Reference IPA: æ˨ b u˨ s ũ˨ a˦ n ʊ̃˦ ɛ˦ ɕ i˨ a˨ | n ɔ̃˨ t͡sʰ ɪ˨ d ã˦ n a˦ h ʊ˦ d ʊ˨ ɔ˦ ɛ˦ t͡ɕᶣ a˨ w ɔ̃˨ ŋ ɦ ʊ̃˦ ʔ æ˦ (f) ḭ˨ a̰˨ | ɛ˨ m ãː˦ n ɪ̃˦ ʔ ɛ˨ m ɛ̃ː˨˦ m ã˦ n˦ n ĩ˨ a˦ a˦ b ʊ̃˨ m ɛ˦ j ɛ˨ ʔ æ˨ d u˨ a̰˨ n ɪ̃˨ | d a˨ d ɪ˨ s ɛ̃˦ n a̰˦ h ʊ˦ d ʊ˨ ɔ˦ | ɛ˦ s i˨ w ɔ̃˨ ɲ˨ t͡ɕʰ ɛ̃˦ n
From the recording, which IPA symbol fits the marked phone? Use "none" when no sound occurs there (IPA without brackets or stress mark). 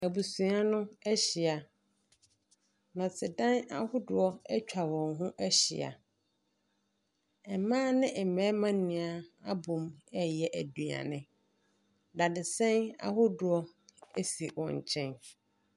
ɕ